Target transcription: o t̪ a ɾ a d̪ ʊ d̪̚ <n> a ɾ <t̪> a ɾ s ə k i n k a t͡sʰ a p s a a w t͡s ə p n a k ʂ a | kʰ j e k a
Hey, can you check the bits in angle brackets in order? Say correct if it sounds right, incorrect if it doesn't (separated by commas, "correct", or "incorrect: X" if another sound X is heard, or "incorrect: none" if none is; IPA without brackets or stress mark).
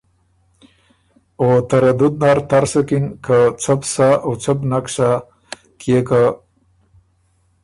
correct, correct